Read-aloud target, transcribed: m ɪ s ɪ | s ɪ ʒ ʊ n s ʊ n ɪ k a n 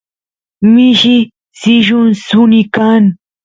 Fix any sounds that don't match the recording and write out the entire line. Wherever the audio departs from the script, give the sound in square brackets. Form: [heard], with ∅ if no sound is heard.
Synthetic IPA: m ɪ [ʃ] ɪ | s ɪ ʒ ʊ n s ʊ n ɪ k a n

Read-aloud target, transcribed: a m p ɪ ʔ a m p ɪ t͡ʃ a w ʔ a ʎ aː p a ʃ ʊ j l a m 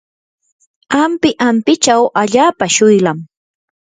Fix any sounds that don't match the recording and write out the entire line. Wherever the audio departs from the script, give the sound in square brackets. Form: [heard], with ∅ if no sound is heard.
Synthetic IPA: a m p ɪ ʔ a m p ɪ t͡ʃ a w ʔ a ʎ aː p a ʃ ʊ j l a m

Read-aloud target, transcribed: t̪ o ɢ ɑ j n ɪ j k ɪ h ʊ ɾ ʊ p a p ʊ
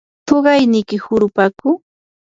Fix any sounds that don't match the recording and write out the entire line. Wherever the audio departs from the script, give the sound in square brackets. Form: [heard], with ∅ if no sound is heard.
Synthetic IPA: t̪ o ɢ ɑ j n ɪ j k ɪ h ʊ ɾ ʊ p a [k] ʊ

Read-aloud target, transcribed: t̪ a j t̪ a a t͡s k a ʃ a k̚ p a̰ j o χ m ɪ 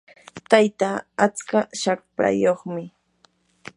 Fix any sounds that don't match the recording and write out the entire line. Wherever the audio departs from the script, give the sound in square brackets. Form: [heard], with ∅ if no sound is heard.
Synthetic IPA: t̪ a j t̪ a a t͡s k a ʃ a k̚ p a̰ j o χ m ɪ

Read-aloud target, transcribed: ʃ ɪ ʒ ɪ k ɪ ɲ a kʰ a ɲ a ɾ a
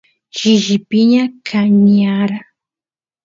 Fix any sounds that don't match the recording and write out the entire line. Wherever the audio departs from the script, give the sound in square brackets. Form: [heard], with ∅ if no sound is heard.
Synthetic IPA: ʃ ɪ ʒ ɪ [p] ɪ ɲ a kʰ a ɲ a ɾ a

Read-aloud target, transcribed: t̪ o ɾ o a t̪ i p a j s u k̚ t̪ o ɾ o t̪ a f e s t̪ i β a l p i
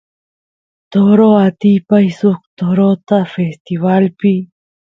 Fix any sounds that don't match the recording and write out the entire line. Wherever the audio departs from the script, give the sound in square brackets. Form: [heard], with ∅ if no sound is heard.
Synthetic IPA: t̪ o ɾ o a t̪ i p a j s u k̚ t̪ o ɾ o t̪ a f e s t̪ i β a l p i

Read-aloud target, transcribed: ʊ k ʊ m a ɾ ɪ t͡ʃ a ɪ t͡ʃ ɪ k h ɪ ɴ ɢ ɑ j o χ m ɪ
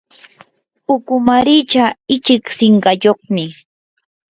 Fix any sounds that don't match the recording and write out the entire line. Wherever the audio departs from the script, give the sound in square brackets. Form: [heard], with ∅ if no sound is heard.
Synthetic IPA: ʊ k ʊ m a ɾ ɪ t͡ʃ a ɪ t͡ʃ ɪ k [s] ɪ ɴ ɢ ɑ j o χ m ɪ

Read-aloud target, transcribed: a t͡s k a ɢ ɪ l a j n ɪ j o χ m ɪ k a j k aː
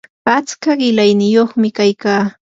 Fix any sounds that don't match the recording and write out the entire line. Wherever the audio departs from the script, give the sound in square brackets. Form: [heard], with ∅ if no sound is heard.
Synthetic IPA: a t͡s k a ɢ ɪ l a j n ɪ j o χ m ɪ k a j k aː

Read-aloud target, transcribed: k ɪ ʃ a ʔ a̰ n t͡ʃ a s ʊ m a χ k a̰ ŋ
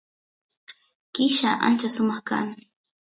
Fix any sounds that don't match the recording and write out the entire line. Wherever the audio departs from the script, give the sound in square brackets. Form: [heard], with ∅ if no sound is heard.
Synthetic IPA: k ɪ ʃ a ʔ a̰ n t͡ʃ a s ʊ m [ɑ] χ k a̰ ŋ

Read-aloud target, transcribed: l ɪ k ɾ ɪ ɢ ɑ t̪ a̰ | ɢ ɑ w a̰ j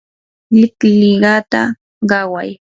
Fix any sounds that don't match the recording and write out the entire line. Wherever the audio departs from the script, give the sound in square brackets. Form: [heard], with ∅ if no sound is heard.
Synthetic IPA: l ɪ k [l] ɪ ɢ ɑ t̪ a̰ | ɢ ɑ w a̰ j

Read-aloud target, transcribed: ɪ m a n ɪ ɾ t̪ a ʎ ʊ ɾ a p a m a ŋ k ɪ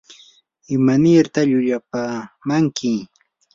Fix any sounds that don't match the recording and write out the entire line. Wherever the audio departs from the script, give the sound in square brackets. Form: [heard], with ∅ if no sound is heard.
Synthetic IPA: ɪ m a n ɪ ɾ t̪ a ʎ ʊ [ʎ] a p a m a ŋ k ɪ

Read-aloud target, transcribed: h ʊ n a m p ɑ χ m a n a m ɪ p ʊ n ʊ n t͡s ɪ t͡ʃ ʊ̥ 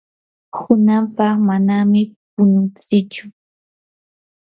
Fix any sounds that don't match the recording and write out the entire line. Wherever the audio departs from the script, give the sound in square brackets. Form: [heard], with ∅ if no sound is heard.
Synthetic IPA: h ʊ n a m p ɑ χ m a n a m ɪ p ʊ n ʊ n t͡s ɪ t͡ʃ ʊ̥

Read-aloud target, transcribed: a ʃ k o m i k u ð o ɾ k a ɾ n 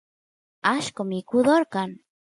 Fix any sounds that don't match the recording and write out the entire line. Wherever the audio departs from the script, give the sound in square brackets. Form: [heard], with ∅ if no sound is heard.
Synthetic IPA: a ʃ k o m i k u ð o ɾ k a [∅] n

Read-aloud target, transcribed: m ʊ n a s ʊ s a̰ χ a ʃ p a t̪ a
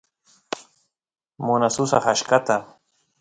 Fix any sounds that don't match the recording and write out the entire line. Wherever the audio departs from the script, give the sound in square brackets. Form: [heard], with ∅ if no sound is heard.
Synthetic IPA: m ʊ n a s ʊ s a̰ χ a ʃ [k] a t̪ a

